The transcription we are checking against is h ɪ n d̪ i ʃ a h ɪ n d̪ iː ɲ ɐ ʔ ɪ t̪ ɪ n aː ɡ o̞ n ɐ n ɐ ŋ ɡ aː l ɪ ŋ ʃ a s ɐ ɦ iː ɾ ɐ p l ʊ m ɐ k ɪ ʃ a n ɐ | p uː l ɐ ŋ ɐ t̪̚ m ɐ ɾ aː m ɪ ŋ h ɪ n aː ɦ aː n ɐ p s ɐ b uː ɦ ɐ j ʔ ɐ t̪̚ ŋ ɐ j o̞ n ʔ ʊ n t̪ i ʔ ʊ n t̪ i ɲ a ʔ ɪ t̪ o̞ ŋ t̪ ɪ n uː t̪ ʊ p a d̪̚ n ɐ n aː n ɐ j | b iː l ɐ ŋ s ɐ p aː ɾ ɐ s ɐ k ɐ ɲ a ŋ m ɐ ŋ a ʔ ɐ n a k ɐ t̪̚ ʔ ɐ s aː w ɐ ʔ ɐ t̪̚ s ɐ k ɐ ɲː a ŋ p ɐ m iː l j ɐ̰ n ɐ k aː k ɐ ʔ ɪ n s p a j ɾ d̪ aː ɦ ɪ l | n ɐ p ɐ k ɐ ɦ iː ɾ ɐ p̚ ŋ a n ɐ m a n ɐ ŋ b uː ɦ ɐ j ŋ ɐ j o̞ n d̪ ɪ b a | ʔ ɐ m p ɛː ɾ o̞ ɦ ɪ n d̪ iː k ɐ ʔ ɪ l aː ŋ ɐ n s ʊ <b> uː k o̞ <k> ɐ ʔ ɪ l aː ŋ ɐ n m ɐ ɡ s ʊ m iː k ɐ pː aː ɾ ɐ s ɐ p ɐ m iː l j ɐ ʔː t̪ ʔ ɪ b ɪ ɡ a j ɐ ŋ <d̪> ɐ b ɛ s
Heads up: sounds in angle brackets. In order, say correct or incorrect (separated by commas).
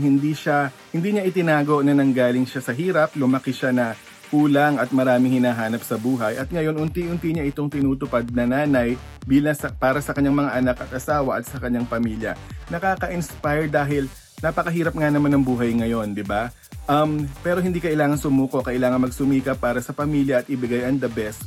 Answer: incorrect, correct, correct